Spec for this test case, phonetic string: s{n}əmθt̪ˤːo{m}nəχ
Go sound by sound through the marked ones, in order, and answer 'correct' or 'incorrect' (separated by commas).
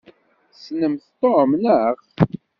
correct, correct